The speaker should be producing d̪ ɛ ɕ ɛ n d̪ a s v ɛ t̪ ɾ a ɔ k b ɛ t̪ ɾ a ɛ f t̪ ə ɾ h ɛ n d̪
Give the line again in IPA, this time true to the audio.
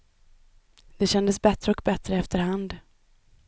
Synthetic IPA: d̪ ɛ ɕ ɛ n d̪ ə s b ɛ t̪ ɾ ə ɔ k b ɛ t̪ ɾ ə ɛ f t̪ ə ɾ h a n d̪